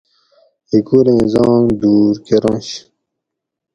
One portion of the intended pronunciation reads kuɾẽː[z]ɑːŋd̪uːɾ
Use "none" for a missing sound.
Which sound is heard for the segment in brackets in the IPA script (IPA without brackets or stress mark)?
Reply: z